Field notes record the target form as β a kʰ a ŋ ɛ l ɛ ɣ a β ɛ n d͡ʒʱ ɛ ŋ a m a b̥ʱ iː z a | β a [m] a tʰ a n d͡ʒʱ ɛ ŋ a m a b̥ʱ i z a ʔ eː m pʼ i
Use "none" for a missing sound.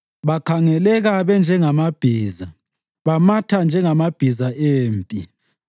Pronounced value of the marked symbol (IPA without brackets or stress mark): m